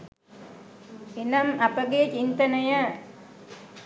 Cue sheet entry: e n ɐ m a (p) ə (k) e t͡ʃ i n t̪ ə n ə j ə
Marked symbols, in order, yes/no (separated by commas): yes, no